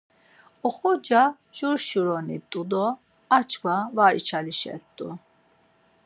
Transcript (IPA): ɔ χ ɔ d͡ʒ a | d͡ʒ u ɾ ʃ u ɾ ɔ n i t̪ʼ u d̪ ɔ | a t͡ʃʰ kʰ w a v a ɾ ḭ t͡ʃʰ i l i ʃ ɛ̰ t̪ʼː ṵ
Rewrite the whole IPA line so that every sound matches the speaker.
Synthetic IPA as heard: ɔ χ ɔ d͡ʒ a | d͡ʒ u ɾ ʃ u ɾ ɔ n i t̪ʼ u d̪ ɔ | a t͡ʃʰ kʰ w a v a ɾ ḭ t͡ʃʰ a l i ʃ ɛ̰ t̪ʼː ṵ